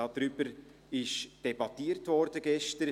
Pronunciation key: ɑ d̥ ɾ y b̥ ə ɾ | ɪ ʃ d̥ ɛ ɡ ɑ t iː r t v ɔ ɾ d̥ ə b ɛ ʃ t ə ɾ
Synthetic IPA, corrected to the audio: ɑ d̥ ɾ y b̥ ə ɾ | ɪ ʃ d̥ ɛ b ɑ t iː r t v ɔ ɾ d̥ ə ɡ ɛ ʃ t ə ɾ